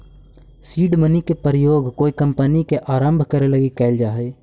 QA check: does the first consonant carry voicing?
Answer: no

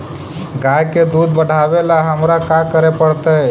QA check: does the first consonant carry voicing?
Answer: yes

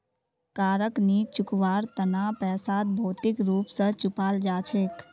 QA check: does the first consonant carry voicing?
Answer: no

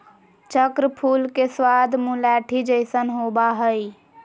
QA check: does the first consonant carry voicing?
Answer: no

